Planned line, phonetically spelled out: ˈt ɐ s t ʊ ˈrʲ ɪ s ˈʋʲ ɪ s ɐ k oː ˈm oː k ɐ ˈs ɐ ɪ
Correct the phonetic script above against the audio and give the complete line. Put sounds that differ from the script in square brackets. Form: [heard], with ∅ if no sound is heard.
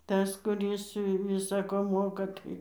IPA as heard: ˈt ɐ s [k] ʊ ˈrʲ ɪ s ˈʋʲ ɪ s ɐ k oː ˈm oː k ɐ [ˈt] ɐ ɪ